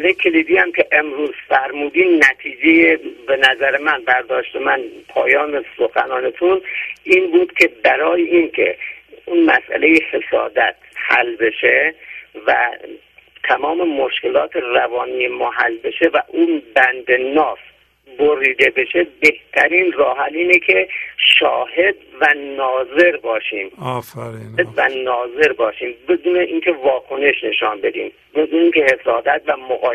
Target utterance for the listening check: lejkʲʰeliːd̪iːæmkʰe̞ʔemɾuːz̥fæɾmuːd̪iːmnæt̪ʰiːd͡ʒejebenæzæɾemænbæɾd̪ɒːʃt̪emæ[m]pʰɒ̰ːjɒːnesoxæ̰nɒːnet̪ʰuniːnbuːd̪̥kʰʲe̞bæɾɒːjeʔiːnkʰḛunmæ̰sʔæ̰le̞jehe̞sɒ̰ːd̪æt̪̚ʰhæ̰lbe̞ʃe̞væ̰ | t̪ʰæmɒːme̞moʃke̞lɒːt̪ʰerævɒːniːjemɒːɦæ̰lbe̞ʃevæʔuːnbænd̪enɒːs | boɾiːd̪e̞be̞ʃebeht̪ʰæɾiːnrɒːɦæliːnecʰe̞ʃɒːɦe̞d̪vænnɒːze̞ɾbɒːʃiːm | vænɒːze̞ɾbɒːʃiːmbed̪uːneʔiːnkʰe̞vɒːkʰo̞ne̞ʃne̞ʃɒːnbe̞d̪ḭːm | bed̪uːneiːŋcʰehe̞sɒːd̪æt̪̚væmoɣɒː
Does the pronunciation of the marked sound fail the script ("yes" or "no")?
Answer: yes